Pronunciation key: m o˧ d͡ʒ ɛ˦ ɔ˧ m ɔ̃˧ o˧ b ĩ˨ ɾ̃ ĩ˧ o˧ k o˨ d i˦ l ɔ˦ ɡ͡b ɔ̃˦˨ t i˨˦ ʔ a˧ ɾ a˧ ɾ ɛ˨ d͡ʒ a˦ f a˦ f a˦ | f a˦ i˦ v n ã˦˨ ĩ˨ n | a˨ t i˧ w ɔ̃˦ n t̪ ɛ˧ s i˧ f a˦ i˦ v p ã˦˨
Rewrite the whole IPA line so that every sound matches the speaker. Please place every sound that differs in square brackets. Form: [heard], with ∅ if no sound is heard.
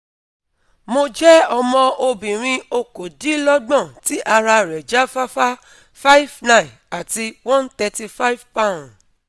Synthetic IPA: m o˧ d͡ʒ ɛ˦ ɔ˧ m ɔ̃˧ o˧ b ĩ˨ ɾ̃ ĩ˧ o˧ k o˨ d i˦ l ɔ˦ ɡ͡b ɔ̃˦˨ t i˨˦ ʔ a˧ ɾ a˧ ɾ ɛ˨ d͡ʒ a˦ f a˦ f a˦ | f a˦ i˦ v n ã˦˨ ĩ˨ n | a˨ t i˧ w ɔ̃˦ n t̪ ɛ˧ [t] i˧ f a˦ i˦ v p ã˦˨